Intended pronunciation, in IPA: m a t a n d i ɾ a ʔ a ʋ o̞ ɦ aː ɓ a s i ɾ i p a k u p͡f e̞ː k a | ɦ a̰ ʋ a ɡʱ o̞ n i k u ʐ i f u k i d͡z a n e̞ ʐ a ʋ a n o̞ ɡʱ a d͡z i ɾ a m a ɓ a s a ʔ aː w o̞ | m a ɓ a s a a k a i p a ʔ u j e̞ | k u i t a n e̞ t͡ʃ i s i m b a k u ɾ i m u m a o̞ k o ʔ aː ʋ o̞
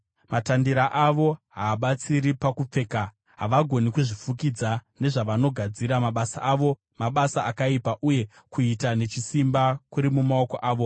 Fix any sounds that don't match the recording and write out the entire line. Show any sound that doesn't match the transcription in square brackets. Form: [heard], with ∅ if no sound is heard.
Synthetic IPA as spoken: m a t a n d i ɾ a ʔ a ʋ o̞ ɦ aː ɓ a [t͡s] i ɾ i p a k u p͡f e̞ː k a | ɦ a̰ ʋ a ɡʱ o̞ n i k u ʐ i f u k i d͡z a n e̞ ʐ a ʋ a n o̞ ɡʱ a d͡z i ɾ a m a ɓ a s a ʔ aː [ʋ] o̞ | m a ɓ a s a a k a i p a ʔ u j e̞ | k u i t a n e̞ t͡ʃ i s i m b a k u ɾ i m u m a o̞ k o ʔ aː ʋ o̞